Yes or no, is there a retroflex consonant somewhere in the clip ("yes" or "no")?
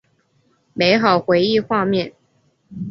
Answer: no